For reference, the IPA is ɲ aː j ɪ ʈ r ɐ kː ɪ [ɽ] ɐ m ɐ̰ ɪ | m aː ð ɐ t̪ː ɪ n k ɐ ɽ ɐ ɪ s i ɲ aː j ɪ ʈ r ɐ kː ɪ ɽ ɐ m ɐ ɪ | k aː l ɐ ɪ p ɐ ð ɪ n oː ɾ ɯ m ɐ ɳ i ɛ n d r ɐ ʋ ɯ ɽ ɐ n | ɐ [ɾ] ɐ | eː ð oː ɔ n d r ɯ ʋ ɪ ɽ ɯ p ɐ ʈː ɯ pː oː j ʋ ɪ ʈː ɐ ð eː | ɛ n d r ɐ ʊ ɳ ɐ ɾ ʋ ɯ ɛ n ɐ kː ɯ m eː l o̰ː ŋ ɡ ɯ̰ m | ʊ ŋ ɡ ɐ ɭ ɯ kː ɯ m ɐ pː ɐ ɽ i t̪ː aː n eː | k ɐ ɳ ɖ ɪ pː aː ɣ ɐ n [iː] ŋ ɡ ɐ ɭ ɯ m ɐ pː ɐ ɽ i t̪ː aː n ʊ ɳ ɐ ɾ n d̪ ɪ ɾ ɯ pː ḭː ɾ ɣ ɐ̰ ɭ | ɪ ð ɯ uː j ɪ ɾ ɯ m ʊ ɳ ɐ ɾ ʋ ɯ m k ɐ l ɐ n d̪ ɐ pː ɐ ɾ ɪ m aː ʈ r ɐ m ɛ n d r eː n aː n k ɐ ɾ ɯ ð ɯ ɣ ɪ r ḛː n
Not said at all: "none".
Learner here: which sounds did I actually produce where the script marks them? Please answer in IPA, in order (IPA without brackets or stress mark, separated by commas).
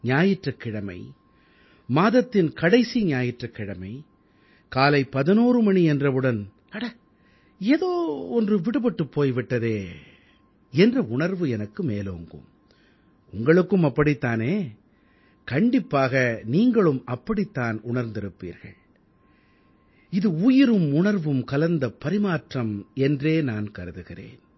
ɽ, ɽ, iː